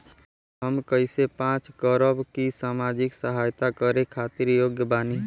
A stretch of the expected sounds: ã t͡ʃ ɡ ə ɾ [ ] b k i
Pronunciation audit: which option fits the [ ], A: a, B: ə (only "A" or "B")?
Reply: B